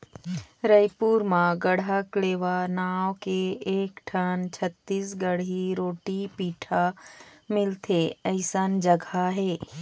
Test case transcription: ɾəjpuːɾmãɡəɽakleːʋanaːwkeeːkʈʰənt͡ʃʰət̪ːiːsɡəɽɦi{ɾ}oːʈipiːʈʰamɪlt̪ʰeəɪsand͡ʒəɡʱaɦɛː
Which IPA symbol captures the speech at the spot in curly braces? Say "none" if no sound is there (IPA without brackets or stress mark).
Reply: ɾ